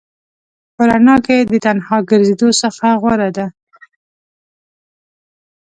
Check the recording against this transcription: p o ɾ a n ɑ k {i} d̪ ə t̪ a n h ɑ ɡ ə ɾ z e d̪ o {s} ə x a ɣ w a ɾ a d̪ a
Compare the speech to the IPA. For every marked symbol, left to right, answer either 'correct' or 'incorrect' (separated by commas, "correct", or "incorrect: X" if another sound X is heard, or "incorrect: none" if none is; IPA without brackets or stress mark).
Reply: incorrect: e, correct